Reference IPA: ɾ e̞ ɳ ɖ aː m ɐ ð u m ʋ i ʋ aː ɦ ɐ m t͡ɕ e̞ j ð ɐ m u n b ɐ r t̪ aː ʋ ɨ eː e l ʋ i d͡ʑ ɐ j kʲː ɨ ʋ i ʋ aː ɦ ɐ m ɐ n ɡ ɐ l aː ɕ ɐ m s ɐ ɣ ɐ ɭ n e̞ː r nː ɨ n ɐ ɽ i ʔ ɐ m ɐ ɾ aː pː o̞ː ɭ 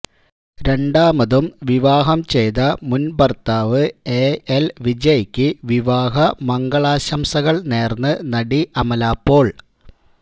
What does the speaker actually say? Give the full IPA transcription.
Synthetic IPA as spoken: ɾ e̞ ɳ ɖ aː m ɐ ð u m ʋ i ʋ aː ɦ ɐ m t͡ɕ e̞ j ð ɐ m u n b ɐ r t̪ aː ʋ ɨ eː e l ʋ i d͡ʑ ɐ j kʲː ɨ ʋ i ʋ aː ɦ ɐ m ɐ ŋ ɡ ɐ ɭ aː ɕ ɐ m s ɐ ɣ ɐ ɭ n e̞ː r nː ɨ n ɐ ɽ i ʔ ɐ m ɐ l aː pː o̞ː ɭ